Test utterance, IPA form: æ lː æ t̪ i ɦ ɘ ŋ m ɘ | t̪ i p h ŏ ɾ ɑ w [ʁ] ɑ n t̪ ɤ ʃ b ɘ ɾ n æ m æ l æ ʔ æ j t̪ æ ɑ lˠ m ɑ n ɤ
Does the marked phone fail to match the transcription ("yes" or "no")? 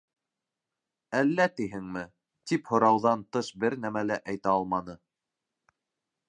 yes